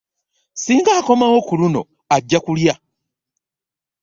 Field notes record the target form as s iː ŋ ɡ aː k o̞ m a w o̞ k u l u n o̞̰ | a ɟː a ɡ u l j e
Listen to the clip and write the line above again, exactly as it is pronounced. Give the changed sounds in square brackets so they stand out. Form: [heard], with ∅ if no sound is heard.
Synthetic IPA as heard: s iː ŋ ɡ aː k o̞ m a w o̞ k u l u n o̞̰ | a ɟː a [k] u l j [a]